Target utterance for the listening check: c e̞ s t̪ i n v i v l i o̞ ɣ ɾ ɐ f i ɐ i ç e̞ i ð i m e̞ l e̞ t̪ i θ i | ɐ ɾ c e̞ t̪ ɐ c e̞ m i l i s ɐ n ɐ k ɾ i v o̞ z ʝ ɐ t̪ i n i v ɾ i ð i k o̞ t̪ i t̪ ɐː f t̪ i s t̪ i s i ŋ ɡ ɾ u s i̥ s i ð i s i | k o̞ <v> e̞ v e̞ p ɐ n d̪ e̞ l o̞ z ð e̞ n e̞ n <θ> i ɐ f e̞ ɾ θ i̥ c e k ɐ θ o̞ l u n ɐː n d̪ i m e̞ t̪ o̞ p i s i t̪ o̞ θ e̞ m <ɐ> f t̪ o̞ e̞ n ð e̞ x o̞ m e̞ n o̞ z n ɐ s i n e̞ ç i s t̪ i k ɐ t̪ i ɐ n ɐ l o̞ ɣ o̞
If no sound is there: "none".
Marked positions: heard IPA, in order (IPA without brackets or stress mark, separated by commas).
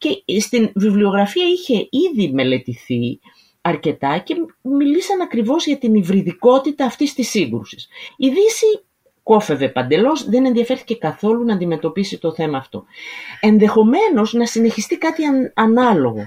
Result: f, ð, ɐː